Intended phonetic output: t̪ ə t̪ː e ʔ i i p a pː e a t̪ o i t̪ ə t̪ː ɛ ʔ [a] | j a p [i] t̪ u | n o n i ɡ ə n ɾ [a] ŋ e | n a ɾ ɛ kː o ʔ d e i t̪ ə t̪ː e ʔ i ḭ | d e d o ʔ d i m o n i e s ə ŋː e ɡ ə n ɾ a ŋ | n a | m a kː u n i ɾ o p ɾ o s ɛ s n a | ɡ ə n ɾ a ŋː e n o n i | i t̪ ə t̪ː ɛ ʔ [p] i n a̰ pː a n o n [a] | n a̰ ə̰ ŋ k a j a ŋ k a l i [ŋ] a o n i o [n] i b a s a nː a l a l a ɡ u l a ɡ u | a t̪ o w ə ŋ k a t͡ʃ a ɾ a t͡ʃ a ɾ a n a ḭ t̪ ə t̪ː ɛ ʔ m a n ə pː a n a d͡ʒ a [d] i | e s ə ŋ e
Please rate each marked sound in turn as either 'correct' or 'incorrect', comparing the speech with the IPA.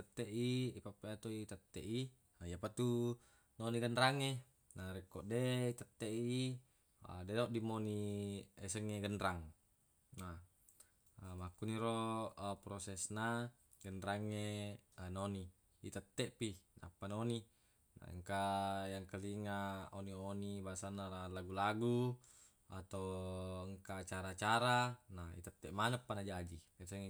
incorrect, incorrect, correct, correct, incorrect, correct, correct, incorrect

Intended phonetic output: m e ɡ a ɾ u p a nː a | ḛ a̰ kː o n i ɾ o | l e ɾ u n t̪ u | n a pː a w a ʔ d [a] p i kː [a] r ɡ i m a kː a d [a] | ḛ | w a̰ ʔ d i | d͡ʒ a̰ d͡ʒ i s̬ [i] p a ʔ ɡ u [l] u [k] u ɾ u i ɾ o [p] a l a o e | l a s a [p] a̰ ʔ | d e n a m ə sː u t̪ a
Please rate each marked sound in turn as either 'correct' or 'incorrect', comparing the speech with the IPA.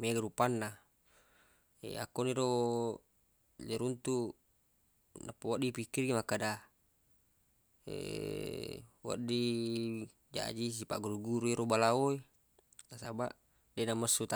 incorrect, incorrect, correct, correct, incorrect, incorrect, incorrect, incorrect

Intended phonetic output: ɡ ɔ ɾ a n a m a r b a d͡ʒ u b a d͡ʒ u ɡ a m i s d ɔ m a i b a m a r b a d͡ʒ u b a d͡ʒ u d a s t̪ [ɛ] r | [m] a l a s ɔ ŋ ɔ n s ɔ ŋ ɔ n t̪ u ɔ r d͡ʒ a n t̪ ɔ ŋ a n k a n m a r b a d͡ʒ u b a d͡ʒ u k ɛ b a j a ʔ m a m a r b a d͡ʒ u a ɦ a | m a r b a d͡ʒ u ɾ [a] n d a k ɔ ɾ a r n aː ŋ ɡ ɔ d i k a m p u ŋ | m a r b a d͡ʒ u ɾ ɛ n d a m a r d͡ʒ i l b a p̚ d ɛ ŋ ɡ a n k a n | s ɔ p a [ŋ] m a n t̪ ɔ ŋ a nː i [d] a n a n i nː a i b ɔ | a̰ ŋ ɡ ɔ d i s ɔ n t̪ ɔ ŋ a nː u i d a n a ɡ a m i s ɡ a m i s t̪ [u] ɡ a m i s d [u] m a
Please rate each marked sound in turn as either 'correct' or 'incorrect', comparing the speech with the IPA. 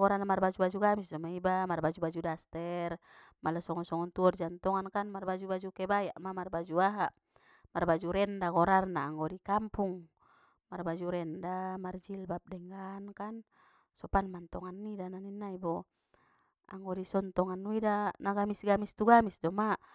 correct, correct, incorrect, incorrect, correct, correct, incorrect

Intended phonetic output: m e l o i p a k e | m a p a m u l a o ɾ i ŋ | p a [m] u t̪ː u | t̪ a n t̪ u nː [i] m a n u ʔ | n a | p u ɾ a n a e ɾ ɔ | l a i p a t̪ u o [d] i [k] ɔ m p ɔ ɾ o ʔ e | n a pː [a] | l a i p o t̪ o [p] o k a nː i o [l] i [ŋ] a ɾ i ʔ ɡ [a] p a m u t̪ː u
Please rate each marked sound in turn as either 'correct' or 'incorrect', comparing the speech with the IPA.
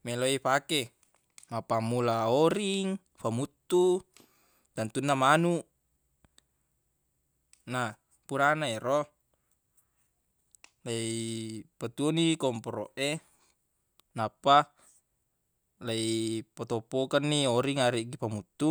correct, incorrect, incorrect, correct, correct, correct, incorrect, correct, incorrect

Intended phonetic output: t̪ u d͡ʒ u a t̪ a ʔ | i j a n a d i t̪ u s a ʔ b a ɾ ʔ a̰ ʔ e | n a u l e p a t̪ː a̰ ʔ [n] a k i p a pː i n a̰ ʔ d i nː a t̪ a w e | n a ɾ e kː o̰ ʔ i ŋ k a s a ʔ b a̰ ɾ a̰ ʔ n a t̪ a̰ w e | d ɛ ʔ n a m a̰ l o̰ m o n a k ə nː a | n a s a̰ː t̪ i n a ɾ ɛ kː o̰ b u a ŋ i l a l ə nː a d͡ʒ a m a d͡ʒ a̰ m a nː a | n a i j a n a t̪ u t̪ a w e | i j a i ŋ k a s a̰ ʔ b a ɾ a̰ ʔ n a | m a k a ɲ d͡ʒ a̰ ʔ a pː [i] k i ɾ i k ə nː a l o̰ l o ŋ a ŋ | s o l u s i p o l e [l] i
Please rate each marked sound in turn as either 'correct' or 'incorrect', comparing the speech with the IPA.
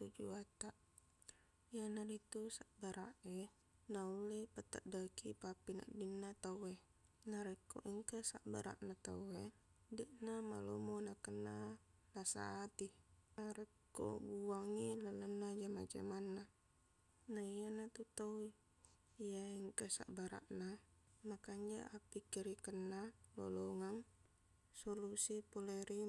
incorrect, correct, incorrect

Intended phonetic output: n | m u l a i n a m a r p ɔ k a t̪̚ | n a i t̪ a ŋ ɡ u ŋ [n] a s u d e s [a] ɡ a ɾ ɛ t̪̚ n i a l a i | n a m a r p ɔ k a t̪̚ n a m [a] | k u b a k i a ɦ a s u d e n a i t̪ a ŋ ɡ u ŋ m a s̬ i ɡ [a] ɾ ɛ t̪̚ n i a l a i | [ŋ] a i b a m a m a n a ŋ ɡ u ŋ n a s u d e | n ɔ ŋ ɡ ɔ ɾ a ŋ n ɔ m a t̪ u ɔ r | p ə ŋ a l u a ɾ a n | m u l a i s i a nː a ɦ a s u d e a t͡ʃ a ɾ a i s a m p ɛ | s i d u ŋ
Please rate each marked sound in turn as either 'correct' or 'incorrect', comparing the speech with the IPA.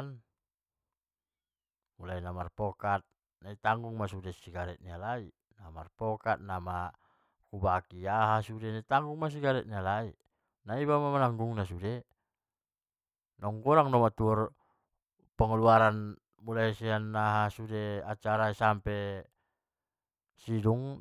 incorrect, incorrect, correct, correct, incorrect

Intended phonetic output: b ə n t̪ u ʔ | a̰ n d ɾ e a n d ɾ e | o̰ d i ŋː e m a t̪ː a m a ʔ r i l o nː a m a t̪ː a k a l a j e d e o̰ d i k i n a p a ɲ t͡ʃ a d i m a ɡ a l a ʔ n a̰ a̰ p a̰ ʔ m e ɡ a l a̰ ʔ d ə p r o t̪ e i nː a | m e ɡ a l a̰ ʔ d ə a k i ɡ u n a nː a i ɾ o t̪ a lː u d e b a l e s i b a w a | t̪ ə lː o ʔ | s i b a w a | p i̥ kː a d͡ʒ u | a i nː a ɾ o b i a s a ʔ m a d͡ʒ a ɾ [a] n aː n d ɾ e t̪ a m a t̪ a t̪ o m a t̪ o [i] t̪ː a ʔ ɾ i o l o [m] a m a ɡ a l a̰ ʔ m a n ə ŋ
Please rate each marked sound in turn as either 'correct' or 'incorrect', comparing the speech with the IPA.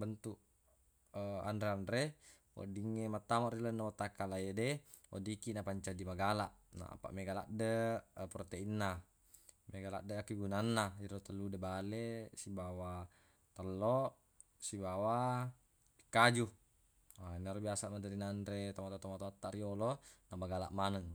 incorrect, incorrect, incorrect

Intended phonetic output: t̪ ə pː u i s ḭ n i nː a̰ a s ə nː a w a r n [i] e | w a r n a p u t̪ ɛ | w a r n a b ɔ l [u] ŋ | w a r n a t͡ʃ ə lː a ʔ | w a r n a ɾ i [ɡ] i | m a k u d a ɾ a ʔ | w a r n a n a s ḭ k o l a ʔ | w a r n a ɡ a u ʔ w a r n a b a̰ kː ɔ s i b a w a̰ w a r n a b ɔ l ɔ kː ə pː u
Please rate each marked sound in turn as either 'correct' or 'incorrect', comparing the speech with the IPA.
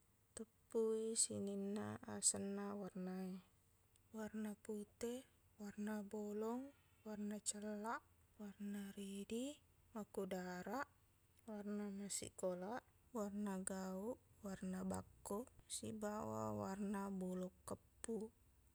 incorrect, incorrect, incorrect

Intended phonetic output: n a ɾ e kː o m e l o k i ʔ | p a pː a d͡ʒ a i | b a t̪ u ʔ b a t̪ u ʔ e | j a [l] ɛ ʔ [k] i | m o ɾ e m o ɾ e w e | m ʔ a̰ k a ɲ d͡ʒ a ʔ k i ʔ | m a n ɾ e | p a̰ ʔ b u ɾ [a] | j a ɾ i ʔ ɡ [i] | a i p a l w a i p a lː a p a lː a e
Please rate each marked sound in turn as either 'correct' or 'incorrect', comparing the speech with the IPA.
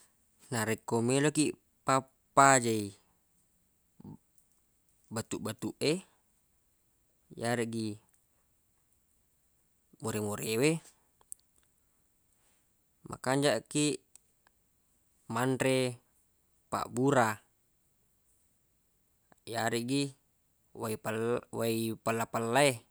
incorrect, incorrect, correct, correct

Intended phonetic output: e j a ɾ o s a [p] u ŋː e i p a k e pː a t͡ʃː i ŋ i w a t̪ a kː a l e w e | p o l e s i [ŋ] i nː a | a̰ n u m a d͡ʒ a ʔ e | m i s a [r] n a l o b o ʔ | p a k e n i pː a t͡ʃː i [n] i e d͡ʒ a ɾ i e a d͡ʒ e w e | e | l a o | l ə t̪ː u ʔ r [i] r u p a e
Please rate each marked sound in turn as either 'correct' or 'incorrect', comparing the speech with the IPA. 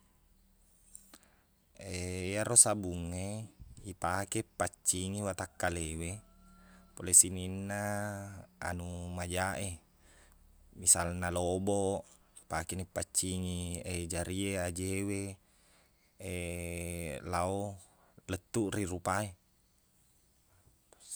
incorrect, incorrect, incorrect, incorrect, correct

